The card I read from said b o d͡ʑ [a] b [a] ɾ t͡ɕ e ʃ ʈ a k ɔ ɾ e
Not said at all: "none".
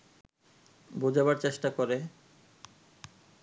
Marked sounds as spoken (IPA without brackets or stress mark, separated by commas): a, a